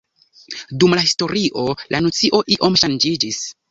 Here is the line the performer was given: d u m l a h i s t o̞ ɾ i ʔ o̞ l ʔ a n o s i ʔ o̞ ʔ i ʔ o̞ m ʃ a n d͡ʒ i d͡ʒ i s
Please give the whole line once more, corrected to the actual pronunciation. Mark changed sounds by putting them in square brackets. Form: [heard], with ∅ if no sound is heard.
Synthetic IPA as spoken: d u m l a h i s t o̞ ɾ i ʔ o̞ l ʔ a n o [t͡s] i ʔ o̞ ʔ i ʔ o̞ m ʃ a n d͡ʒ i d͡ʒ i s